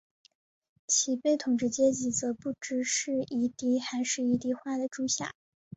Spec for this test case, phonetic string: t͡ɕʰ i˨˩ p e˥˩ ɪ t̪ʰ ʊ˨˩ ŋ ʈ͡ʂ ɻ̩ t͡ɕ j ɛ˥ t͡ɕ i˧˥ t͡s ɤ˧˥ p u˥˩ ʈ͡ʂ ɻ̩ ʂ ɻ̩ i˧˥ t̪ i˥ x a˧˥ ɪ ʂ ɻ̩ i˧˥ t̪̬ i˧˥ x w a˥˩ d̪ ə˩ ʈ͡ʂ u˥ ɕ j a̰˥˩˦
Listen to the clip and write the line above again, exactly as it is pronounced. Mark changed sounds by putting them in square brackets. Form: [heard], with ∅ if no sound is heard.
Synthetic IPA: t͡ɕʰ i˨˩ p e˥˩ ɪ t̪ʰ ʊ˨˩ ŋ ʈ͡ʂ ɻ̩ t͡ɕ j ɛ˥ t͡ɕ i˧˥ t͡s ɤ˧˥ p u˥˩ ʈ͡ʂ ɻ̩ ʂ ɻ̩ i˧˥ t̪ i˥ x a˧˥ ɪ ʂ ɻ̩ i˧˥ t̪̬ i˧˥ x w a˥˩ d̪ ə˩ ʈ͡ʂ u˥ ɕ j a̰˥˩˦